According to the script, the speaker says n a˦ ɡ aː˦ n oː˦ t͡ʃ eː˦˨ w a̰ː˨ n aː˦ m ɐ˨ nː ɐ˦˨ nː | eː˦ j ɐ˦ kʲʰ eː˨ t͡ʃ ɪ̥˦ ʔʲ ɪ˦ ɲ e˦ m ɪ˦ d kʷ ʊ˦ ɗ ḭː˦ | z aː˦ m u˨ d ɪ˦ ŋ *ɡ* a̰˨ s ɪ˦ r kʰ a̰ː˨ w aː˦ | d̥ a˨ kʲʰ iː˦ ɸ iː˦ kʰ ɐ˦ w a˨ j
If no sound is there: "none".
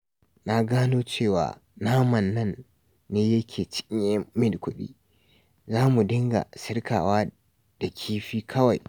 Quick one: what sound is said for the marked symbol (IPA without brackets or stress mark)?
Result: ɡ